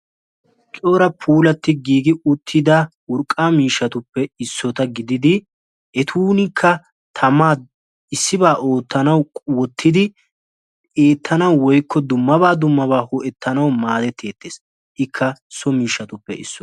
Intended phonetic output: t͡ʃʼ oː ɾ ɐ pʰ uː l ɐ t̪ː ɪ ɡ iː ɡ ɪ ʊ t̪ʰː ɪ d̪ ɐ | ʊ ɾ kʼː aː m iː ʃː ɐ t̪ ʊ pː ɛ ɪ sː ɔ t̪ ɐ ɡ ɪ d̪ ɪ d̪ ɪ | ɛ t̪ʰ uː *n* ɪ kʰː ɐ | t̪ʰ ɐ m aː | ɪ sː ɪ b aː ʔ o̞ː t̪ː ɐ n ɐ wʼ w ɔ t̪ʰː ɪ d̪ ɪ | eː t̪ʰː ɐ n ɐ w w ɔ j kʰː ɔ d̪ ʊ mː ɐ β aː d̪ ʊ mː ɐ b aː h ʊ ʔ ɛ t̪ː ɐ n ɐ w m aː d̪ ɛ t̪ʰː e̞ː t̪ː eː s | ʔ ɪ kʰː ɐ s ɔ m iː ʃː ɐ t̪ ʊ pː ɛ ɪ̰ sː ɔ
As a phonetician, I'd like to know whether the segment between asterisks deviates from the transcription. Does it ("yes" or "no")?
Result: no